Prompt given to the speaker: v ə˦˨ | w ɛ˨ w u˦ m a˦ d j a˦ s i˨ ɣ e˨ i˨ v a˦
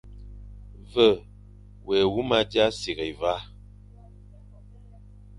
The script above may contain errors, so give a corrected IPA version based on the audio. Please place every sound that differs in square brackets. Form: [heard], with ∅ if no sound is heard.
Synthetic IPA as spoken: v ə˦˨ | w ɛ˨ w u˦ m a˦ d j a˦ s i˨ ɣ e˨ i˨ v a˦